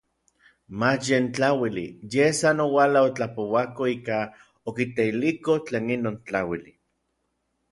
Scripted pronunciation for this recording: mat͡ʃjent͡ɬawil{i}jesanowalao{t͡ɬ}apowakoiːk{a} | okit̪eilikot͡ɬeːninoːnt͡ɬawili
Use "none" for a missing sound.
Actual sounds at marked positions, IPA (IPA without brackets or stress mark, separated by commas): i, t͡ɬ, a